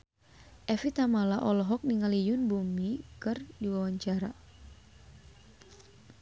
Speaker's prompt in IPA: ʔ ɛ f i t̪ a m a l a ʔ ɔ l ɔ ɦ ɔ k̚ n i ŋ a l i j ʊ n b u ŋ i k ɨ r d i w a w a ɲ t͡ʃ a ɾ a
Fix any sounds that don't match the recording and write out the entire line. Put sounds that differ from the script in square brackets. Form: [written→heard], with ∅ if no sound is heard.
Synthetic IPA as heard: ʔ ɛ f i t̪ a m a l a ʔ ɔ l ɔ ɦ ɔ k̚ n i ŋ a l i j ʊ n b u [ŋ→m] i k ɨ r d i w a w a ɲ t͡ʃ a ɾ a